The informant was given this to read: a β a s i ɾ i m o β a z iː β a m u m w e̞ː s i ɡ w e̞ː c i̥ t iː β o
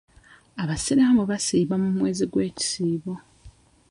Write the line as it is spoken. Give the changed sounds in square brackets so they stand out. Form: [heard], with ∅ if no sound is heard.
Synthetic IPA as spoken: a β a s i ɾ [a] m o β a [s] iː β a m u m w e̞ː [z] i ɡ w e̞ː c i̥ [s] iː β o